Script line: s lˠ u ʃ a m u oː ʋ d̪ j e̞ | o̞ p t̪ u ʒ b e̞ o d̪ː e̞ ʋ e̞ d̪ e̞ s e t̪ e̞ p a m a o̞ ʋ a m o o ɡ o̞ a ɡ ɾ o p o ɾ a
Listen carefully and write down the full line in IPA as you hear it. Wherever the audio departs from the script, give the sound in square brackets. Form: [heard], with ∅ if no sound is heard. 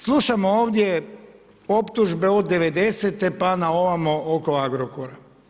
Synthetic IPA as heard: s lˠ u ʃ a m [o] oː ʋ d̪ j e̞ | o̞ p t̪ u ʒ b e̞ o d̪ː e̞ ʋ e̞ d̪ e̞ s e t̪ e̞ p a [n] a o̞ ʋ a m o o [k] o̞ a ɡ ɾ o [k] o ɾ a